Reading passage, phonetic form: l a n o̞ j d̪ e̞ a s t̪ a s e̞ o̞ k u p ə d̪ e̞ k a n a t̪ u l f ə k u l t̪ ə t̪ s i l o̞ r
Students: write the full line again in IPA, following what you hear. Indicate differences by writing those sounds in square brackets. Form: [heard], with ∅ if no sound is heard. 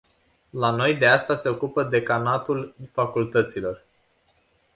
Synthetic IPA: l a n o̞ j d̪ e̞ a s t̪ a s e̞ o̞ k u p ə d̪ e̞ k a n a t̪ u l f [a] k u l t̪ ə t̪ s i l o̞ r